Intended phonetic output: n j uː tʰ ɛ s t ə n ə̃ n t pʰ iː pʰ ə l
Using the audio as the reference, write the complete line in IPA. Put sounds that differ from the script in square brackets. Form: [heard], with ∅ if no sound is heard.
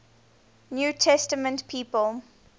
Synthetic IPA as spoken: n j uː tʰ ɛ s t ə [m] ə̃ n t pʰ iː [p] ə l